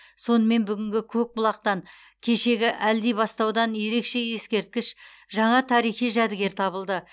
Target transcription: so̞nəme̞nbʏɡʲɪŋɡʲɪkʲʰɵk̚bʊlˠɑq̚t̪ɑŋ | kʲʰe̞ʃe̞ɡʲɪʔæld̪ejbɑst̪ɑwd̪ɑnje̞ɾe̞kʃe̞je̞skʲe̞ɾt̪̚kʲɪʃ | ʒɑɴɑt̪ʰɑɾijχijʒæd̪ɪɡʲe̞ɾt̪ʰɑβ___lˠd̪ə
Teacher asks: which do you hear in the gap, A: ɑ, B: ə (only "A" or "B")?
B